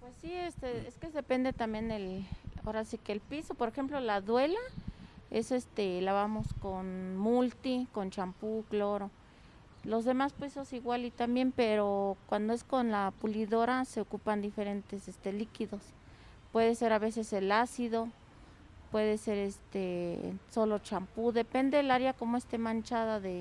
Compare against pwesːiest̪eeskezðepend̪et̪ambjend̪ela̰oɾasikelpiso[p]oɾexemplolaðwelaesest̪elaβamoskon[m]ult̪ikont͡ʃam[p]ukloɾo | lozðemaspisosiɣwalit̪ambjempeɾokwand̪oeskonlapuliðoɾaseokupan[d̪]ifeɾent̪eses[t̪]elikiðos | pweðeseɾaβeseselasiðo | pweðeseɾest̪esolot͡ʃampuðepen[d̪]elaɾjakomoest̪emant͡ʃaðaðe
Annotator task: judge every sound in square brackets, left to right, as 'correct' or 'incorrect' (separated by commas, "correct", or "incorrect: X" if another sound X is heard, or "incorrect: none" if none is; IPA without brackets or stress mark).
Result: correct, correct, correct, correct, correct, correct